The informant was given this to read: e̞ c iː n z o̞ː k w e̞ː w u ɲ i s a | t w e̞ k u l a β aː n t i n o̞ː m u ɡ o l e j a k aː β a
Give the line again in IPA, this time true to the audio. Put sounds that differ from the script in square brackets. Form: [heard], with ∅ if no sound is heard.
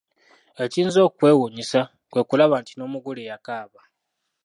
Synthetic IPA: e̞ c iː n z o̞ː k w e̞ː w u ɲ i s a | [k] w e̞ k u l a β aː n t i n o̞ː m u ɡ [u] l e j a k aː β a